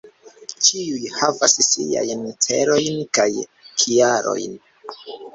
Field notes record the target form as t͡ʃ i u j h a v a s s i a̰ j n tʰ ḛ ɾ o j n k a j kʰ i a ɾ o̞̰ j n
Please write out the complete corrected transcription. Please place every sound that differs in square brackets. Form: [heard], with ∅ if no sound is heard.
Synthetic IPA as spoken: t͡ʃ i u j h a v a s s i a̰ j n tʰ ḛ ɾ o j n k a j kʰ i a ɾ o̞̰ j n